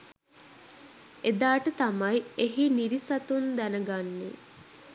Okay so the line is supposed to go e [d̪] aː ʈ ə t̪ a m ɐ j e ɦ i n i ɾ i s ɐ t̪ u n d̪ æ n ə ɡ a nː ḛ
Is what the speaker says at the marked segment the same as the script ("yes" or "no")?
yes